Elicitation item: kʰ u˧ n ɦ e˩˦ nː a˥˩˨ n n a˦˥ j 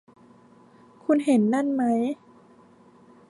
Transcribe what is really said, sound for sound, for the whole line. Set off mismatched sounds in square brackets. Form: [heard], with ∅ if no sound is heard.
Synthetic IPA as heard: kʰ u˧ n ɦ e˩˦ nː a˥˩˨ n [m] a˦˥ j